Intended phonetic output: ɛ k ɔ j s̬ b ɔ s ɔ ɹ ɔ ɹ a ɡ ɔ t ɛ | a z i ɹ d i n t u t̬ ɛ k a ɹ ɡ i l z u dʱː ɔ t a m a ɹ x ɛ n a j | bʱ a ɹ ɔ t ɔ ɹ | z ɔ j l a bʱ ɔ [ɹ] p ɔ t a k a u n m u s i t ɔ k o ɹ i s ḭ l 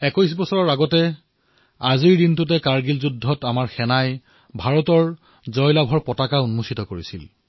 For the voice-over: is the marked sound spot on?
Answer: yes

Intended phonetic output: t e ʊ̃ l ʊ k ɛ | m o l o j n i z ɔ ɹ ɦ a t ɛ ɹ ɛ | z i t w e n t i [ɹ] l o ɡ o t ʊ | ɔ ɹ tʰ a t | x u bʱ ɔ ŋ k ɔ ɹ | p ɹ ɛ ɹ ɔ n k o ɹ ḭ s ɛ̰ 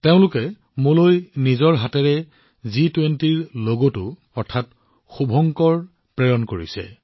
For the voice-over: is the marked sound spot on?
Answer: yes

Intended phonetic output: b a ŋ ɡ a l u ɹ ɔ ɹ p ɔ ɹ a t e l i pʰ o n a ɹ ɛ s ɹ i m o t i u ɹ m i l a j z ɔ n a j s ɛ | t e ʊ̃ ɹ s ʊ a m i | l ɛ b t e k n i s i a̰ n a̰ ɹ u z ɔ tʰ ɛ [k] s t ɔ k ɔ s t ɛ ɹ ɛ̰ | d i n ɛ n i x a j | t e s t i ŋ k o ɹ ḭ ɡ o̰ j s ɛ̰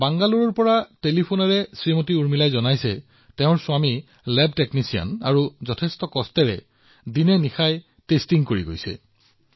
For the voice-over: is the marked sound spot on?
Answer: no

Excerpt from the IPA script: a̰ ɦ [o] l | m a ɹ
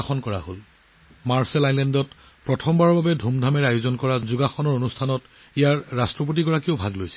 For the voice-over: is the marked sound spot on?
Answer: yes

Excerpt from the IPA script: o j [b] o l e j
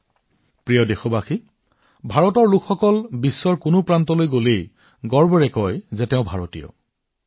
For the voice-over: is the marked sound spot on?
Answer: no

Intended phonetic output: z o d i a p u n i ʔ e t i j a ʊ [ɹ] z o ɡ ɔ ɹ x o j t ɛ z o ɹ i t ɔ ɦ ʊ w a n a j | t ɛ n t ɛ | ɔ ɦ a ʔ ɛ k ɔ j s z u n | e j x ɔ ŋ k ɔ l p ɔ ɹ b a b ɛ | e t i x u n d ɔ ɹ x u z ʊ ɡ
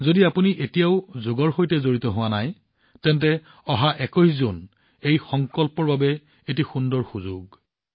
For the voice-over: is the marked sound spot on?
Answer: no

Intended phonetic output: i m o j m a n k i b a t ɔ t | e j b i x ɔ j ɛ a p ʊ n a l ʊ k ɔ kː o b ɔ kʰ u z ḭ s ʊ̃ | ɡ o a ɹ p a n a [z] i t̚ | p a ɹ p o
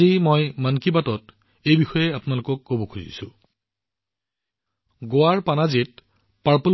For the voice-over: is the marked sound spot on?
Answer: yes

